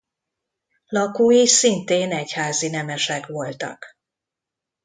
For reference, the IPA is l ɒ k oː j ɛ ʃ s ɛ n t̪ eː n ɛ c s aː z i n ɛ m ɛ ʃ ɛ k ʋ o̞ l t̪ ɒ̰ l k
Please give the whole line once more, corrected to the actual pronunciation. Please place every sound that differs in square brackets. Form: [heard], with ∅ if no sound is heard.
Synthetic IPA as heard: l ɒ k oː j [i] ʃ s [i] n t̪ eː n ɛ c [h] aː z i n ɛ m ɛ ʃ ɛ k ʋ o̞ l t̪ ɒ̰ [∅] k